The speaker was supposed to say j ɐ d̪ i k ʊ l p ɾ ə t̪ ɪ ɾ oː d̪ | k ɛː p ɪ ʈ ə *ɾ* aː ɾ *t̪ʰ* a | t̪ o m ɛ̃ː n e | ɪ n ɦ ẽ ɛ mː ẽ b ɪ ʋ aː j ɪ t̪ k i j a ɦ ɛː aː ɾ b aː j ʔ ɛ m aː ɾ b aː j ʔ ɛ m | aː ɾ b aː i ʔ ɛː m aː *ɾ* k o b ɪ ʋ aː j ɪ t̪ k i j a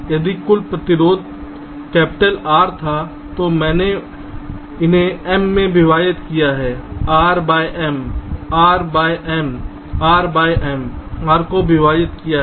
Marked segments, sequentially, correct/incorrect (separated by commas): incorrect, correct, correct